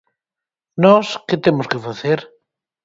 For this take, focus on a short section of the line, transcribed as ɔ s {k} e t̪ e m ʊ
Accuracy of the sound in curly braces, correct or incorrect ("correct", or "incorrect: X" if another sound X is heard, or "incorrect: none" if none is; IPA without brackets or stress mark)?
correct